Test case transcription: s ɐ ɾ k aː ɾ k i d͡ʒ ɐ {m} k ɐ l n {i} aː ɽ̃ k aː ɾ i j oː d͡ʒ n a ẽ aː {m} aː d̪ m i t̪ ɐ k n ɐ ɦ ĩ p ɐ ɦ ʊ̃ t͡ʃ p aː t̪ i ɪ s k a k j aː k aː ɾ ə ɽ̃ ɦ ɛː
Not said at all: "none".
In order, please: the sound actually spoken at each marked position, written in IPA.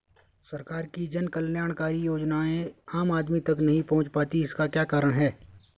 n, j, m

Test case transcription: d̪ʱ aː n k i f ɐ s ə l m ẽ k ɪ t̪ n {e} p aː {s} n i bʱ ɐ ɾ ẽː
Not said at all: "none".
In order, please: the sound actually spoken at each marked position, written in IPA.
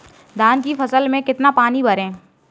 a, none

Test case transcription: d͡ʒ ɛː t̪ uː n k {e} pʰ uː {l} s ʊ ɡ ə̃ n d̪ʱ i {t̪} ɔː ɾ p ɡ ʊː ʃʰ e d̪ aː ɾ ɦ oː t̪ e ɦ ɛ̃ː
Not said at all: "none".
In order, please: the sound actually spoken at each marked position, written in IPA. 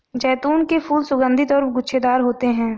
e, l, t̪

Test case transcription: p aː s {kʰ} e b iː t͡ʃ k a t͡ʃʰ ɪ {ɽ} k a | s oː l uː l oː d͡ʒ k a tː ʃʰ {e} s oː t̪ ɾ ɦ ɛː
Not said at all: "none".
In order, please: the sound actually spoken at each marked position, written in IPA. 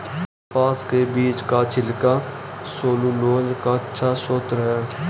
k, l, a

